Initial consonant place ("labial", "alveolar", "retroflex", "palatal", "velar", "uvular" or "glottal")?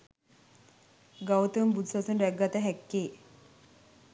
velar